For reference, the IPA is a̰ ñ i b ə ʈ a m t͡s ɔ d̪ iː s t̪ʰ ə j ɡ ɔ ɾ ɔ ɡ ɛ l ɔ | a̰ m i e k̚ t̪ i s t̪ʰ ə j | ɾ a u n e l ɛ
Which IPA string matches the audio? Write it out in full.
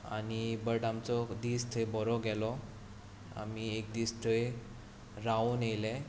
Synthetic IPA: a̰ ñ i b ə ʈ a m t͡s ɔ d̪ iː s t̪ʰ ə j b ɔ ɾ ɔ ɡ ɛ l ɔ | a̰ m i e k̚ d̪ i s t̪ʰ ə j | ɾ a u n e l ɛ